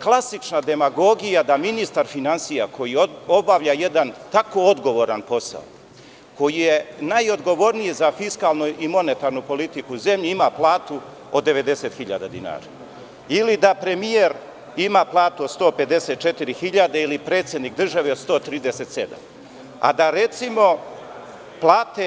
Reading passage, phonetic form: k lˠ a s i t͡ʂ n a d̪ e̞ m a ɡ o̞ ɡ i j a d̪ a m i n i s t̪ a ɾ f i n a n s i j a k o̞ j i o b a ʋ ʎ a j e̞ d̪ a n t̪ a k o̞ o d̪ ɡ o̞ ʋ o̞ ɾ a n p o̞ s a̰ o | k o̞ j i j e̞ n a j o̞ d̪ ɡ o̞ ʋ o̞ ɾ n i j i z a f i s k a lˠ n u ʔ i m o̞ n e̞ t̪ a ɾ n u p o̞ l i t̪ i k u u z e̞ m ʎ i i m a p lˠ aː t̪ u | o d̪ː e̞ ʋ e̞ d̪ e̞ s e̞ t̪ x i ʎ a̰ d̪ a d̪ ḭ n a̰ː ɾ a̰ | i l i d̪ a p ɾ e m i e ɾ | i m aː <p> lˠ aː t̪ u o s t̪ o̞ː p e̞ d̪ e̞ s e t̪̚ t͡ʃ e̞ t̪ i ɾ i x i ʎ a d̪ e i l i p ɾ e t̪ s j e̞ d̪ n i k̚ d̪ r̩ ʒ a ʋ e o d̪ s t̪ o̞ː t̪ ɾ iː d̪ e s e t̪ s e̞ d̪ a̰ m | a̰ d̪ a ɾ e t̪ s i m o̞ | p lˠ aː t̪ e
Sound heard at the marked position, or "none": p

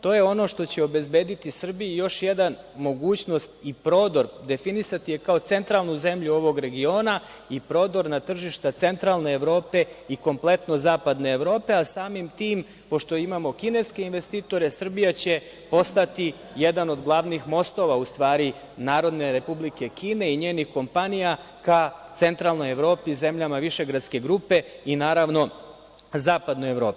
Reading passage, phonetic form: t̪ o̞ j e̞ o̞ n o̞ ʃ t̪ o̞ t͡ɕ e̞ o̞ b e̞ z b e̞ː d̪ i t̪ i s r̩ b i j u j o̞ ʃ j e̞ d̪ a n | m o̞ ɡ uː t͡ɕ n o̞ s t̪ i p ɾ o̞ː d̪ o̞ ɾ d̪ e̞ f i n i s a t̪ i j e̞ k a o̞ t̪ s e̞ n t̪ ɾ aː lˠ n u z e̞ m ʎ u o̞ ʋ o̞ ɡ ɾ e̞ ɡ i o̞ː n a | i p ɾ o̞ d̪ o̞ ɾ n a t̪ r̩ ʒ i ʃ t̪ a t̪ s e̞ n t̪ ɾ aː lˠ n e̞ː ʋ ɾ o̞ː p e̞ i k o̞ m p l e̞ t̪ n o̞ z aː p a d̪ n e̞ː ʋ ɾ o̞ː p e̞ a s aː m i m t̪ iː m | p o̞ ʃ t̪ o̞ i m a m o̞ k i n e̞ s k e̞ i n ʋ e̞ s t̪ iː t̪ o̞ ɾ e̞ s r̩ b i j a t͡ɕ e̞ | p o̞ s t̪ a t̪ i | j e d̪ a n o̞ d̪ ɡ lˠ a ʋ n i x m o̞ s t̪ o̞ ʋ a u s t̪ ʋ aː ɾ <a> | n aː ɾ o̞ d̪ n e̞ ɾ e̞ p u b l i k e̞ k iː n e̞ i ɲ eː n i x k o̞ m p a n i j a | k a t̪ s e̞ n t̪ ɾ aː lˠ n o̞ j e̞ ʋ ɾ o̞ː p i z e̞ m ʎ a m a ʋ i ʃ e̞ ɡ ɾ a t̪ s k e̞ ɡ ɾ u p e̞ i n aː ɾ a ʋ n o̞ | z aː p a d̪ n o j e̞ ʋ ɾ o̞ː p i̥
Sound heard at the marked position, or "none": i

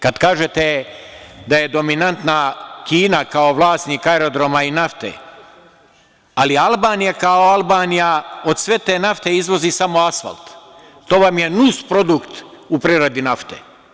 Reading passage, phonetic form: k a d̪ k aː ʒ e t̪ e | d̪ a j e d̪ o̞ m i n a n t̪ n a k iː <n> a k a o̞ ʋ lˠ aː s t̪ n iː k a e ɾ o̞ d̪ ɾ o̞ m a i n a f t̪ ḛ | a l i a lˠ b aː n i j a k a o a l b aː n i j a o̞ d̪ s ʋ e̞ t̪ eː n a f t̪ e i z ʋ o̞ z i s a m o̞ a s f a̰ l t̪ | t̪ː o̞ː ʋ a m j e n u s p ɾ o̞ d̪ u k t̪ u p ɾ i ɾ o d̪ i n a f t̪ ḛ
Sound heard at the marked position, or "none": n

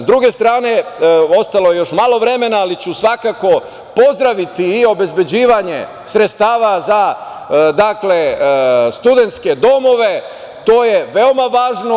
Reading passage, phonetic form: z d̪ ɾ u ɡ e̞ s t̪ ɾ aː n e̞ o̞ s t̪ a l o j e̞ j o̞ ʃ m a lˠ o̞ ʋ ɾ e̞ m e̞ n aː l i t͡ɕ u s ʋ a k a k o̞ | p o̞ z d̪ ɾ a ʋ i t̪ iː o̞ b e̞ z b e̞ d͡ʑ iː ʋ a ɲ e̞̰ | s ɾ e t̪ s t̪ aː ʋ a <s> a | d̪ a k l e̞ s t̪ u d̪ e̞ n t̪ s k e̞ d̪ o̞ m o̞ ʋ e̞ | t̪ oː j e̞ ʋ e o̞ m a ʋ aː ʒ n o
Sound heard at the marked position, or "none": z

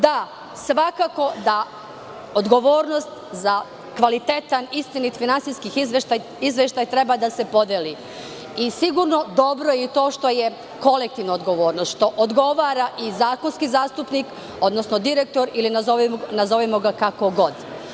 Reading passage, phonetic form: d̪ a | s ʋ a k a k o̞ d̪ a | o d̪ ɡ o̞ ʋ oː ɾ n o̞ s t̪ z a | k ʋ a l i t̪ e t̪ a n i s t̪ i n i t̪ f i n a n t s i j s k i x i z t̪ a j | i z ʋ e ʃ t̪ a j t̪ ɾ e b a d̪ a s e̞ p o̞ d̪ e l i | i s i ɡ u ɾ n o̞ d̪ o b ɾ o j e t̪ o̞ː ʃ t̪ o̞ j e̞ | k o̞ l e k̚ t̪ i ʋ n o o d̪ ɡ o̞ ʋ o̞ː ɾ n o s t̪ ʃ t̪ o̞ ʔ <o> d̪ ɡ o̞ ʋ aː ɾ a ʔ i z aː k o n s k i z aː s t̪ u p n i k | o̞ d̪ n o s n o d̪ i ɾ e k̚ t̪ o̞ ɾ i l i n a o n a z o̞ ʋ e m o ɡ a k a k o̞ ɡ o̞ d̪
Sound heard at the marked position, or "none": o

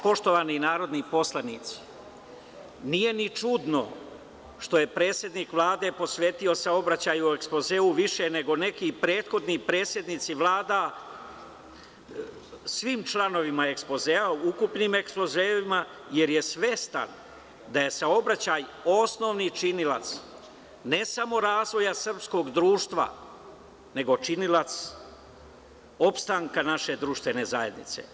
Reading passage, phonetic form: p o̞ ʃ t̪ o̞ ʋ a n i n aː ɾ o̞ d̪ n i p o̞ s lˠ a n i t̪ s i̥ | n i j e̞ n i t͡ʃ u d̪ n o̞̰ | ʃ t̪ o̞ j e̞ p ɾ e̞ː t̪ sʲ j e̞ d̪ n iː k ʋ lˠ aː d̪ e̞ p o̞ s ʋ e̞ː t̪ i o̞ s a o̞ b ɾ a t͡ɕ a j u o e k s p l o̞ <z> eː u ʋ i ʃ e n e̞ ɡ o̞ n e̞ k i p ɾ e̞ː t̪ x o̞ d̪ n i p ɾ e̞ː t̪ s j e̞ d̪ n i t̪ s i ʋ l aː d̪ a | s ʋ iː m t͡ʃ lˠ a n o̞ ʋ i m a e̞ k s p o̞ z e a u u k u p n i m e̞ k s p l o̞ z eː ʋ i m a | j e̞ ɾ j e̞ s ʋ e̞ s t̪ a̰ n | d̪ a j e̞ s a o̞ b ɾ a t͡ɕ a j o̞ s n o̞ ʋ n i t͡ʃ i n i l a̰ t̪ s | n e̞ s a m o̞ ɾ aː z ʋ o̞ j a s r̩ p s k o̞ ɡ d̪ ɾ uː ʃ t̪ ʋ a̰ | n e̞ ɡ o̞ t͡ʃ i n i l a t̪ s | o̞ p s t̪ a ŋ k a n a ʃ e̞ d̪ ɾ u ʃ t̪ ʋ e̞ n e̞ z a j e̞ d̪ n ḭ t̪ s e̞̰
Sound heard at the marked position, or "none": z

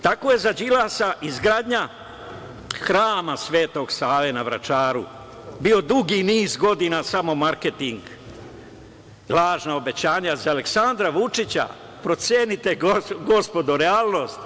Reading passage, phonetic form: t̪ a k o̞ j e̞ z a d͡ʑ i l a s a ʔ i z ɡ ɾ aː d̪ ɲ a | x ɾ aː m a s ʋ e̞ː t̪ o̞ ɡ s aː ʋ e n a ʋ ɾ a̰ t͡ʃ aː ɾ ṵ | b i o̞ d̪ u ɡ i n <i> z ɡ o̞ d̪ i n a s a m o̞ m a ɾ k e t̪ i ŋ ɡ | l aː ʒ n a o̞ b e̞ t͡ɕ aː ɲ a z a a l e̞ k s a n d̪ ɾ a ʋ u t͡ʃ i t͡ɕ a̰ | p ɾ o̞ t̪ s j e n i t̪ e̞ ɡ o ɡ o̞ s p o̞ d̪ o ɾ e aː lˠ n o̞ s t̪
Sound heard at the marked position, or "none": iː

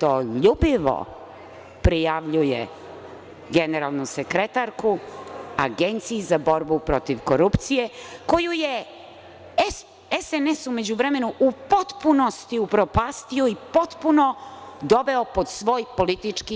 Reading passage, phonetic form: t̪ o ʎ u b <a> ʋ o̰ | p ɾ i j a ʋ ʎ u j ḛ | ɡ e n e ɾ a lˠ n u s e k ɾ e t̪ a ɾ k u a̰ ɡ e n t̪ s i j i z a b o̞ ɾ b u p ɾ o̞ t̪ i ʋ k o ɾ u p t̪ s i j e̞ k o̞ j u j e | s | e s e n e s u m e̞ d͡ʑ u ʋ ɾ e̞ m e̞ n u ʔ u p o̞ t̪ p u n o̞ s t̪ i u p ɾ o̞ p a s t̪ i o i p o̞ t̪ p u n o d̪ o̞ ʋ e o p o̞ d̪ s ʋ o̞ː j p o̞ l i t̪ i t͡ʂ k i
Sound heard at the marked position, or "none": i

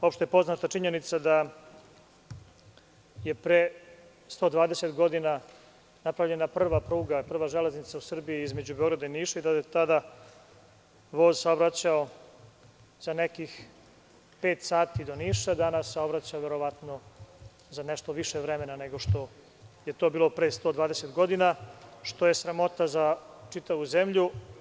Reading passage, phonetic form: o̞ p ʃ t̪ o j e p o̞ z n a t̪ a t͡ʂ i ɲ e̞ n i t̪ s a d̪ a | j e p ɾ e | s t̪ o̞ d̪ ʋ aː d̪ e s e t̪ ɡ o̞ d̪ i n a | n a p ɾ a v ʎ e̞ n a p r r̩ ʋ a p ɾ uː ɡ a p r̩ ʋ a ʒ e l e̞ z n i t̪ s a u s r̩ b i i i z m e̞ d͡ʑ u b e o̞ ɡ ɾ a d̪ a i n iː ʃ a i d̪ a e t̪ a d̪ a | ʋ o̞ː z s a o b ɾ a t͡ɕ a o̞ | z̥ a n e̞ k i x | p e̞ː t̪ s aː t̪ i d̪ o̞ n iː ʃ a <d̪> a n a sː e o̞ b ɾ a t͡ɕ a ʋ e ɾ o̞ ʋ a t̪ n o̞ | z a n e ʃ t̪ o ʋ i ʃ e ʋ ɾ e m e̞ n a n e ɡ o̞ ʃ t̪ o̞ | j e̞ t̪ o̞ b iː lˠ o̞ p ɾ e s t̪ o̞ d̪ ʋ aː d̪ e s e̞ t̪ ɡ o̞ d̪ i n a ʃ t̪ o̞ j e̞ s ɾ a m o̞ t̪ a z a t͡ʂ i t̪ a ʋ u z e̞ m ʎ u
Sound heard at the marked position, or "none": d̪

